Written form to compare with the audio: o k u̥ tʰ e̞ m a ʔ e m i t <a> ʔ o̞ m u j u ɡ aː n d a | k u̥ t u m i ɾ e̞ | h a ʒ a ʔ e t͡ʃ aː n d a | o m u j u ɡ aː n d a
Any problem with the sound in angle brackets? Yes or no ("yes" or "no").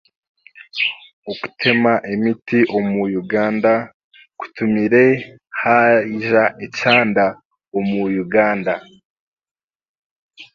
yes